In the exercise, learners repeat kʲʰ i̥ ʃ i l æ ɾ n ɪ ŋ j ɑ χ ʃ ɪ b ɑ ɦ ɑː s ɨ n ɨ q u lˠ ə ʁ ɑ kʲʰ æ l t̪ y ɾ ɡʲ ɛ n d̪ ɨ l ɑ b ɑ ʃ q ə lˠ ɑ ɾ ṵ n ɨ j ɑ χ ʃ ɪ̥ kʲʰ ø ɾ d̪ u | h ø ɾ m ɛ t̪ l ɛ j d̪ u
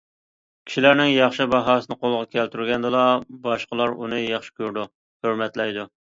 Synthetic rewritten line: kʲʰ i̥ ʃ i l æ ɾ n ɪ ŋ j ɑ χ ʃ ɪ b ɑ ɦ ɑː s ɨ n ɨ q o lˠ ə ʁ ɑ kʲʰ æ l t̪ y ɾ ɡʲ ɛ n d̪ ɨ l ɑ b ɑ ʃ q ə lˠ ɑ ɾ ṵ n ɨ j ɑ χ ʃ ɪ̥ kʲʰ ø ɾ d̪ u | h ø ɾ m ɛ t̪ l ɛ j d̪ u

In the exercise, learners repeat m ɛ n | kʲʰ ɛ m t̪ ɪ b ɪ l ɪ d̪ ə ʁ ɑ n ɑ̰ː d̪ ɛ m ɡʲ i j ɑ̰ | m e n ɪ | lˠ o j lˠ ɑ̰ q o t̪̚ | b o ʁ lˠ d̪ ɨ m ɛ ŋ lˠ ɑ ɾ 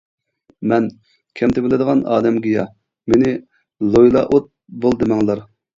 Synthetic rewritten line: m ɛ n | kʲʰ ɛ m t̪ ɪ b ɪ l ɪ d̪ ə ʁ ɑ n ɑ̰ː d̪ ɛ m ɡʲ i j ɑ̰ | m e n ɪ | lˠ o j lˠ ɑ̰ ʔ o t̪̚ | b o lˠ d̪ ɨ m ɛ ŋ lˠ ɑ ɾ

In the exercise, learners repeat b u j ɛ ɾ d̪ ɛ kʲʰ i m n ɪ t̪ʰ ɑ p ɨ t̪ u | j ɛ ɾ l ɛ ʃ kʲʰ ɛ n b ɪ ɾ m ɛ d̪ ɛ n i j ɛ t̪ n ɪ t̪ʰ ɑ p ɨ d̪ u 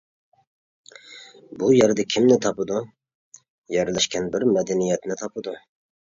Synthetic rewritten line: b u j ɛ ɾ d̪ ɛ kʲʰ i m n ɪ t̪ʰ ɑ p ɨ d̪ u | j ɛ ɾ l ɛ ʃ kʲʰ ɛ n b ɪ ɾ m ɛ d̪ ɛ n i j ɛ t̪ n ɪ t̪ʰ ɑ p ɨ d̪ u

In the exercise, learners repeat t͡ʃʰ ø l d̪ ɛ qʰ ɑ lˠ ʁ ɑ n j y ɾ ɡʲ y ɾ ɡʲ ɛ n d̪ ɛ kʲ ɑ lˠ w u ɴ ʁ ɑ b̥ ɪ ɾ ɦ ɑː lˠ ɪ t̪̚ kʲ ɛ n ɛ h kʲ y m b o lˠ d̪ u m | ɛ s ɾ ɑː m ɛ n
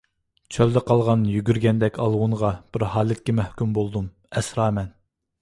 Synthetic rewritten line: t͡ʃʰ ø l d̪ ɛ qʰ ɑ lˠ ʁ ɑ n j y ɡʲ y ɾ ɡʲ ɛ n d̪ ɛ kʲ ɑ lˠ w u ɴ ʁ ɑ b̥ ɪ ɾ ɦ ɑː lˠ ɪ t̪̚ kʲ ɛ m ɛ h kʲ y m b o lˠ d̪ u m | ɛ s ɾ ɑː m ɛ n

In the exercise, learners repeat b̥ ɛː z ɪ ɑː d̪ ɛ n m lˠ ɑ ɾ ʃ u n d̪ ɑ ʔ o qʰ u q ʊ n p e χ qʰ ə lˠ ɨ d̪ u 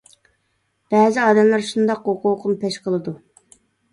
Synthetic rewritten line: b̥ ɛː z ɪ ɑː d̪ ɛ m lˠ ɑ ɾ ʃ u n d̪ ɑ q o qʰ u q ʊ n p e ʃ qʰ ə lˠ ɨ d̪ u

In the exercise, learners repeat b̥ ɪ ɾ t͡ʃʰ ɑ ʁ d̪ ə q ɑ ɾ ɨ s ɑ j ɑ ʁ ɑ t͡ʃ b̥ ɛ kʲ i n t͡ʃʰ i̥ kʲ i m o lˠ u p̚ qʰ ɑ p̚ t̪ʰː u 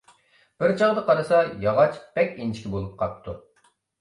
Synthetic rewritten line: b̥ ɪ ɾ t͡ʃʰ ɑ ʁ d̪ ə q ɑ ɾ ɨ s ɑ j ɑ ʁ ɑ t͡ʃ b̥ ɛ kʲ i n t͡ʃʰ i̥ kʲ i b o lˠ u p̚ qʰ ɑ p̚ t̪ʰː u

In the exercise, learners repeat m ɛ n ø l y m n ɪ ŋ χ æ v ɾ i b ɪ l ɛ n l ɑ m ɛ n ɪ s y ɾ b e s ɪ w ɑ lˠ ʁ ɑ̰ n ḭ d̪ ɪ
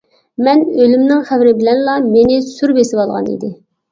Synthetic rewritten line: m ɛ n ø l y m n ɪ ŋ χ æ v ɾ ɪ b ɪ l ɛ n l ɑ m e n ɪ s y ɾ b e s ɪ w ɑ lˠ ʁ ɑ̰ n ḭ d̪ ɪ

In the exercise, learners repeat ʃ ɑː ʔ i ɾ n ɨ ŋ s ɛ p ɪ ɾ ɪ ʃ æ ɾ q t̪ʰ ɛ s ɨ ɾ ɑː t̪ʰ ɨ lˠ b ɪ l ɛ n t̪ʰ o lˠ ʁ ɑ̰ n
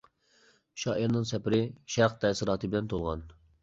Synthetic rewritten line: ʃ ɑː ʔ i ɾ n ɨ ŋ s ɛ p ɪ ɾ ɪ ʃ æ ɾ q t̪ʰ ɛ s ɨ ɾ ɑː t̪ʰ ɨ b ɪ l ɛ n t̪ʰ o lˠ ʁ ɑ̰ n

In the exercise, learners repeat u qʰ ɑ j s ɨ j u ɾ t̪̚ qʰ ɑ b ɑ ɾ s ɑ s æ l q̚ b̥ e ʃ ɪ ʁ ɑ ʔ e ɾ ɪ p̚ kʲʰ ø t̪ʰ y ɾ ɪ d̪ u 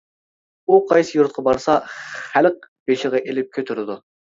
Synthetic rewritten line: u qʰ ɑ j s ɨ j u ɾ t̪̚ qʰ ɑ b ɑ ɾ s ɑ χ æ l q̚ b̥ e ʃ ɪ ʁ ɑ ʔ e l ɪ p̚ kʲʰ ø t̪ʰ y ɾ ɪ d̪ u

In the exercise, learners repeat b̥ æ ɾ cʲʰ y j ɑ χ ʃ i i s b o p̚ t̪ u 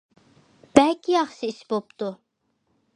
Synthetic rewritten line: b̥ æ l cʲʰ i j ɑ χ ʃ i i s b o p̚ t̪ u

